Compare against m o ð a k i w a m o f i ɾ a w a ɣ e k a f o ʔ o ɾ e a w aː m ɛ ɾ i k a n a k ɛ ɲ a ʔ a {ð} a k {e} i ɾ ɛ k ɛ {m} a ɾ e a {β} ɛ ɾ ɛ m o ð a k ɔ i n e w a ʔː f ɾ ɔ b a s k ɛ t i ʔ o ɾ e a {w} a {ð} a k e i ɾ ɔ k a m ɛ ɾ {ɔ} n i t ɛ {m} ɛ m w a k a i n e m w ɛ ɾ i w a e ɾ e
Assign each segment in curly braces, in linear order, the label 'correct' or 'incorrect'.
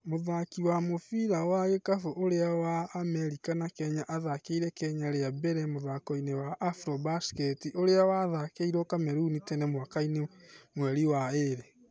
correct, correct, incorrect: ɲ, incorrect: b, correct, correct, incorrect: u, incorrect: n

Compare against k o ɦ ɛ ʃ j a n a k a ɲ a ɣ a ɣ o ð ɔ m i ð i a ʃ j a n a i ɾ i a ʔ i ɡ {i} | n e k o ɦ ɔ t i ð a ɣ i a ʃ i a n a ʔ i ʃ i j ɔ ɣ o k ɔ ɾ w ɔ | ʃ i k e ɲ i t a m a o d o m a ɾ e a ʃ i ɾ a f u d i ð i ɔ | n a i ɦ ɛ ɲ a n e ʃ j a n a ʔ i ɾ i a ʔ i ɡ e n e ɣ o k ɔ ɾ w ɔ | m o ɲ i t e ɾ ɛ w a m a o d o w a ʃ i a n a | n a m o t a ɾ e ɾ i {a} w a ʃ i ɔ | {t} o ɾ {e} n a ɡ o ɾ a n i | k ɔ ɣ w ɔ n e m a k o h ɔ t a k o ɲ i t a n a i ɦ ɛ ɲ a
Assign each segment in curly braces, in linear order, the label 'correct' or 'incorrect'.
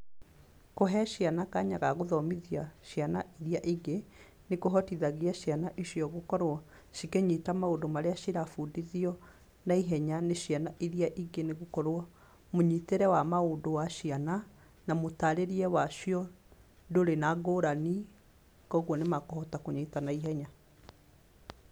incorrect: e, incorrect: ɛ, incorrect: d, correct

